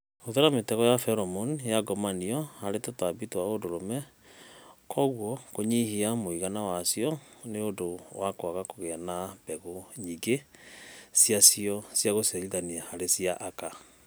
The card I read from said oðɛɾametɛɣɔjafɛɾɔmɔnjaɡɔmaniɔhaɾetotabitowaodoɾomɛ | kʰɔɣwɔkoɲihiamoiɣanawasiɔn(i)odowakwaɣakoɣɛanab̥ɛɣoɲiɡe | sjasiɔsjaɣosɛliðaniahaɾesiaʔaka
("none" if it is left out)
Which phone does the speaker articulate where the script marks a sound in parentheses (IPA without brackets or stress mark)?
e